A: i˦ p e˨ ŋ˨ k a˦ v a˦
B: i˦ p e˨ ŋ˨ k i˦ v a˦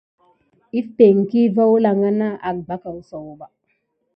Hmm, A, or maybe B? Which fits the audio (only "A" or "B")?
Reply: B